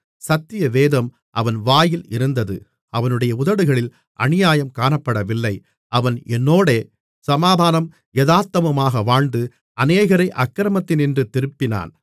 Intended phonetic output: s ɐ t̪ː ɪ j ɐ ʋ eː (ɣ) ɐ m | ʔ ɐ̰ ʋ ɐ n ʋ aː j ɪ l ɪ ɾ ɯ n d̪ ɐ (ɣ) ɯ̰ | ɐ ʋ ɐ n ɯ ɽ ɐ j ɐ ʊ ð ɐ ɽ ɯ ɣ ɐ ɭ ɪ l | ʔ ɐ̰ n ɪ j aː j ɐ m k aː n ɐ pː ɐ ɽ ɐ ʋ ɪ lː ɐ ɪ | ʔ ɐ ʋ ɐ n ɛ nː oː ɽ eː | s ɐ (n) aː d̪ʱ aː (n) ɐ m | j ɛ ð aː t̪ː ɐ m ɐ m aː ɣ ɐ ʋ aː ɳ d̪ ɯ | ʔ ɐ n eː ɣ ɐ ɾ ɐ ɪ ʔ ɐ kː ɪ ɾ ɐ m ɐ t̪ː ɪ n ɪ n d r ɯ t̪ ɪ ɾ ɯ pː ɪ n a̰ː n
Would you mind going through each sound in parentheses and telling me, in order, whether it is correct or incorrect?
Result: incorrect: ð, incorrect: ð, incorrect: m, correct

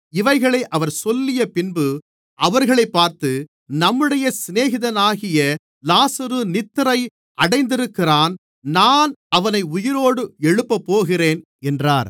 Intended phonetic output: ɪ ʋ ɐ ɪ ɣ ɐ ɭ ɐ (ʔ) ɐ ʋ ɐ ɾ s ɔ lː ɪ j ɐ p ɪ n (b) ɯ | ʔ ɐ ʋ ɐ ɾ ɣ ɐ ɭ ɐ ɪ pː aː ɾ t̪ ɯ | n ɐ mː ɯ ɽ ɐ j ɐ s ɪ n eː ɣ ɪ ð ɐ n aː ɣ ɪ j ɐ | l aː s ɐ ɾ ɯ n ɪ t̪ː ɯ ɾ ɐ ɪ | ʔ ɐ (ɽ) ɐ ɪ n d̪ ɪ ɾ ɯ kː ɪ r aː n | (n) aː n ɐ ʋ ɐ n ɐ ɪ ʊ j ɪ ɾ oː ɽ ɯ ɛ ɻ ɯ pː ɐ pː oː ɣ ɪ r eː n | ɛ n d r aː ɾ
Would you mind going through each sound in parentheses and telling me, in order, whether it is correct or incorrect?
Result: correct, correct, correct, correct

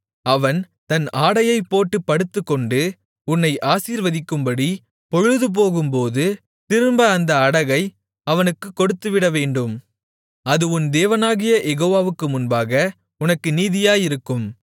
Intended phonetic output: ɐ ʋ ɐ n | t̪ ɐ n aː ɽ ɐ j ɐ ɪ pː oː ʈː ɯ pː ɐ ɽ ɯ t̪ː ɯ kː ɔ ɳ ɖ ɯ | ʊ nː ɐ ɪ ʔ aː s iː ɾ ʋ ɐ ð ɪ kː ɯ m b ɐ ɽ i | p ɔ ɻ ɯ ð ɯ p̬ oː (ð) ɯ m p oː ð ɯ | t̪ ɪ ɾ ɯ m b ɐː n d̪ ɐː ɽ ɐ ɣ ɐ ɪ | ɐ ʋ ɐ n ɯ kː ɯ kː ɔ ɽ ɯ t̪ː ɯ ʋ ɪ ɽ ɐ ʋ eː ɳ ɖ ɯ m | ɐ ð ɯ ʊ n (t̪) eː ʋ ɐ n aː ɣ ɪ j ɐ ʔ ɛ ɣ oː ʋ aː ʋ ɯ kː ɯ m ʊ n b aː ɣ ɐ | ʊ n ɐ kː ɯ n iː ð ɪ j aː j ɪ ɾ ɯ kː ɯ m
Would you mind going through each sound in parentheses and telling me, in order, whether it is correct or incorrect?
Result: incorrect: ɣ, incorrect: d̪

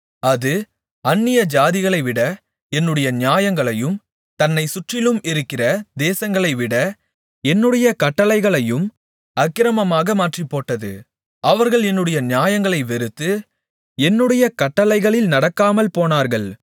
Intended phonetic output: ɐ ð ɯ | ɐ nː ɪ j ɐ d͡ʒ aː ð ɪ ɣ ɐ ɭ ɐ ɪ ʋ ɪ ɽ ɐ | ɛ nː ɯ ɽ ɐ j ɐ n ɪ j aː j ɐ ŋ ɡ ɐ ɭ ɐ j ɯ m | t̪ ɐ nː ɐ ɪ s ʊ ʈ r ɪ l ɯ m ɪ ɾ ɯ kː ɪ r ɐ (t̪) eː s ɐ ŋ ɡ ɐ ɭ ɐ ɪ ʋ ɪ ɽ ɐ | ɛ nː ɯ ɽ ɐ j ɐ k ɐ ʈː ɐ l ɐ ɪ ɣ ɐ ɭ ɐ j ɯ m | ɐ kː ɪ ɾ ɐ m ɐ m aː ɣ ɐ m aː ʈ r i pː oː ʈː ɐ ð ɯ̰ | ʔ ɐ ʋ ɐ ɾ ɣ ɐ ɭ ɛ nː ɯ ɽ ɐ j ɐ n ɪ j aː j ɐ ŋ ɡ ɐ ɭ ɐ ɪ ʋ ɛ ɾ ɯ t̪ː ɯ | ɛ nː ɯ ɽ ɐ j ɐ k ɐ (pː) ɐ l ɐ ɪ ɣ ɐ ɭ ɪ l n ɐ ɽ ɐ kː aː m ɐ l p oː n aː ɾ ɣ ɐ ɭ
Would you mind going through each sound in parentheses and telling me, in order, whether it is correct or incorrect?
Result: incorrect: d̪, incorrect: ʈː

